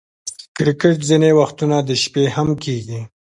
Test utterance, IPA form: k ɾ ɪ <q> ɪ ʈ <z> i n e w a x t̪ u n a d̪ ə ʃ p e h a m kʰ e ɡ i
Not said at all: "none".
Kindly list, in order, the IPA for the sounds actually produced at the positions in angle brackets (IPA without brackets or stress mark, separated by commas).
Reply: k, z